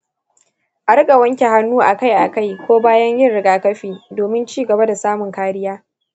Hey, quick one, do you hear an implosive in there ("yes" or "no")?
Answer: no